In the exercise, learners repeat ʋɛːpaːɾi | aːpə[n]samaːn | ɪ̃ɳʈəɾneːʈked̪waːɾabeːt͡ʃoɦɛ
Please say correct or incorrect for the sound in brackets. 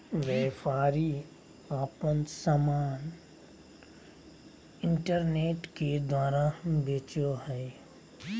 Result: correct